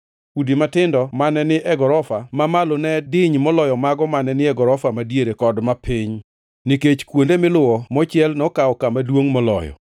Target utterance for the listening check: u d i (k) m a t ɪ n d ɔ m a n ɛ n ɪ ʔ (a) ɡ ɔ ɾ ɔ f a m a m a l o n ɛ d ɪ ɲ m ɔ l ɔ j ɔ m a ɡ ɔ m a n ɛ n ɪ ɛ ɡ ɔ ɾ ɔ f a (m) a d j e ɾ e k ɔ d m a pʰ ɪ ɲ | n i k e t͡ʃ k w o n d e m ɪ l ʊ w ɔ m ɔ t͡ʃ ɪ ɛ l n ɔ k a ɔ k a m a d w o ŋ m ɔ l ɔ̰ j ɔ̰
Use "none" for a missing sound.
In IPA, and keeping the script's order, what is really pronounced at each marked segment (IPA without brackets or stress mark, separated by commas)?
none, ɛ, m